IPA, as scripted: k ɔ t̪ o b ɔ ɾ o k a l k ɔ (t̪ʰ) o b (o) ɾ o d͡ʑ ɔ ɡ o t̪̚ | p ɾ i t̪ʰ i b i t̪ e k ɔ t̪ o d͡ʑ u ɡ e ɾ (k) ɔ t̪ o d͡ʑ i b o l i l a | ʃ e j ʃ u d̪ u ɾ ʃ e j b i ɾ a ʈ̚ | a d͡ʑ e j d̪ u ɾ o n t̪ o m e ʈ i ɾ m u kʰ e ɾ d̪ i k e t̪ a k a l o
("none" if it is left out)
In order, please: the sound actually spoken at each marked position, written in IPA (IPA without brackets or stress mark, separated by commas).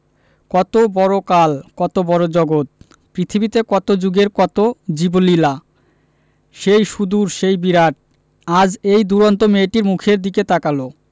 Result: t̪, ɔ, k